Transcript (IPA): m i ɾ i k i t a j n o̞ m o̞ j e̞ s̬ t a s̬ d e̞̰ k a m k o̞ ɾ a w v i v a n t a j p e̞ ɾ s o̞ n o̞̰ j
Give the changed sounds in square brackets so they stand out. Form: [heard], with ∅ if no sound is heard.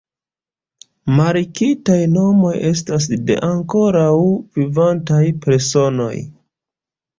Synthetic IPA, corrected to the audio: m [a] ɾ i k i t a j n o̞ m o̞ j e̞ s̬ t a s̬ d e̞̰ [ʔ] a [ŋ] k o̞ ɾ a w v i v a n t a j p e̞ ɾ s o̞ n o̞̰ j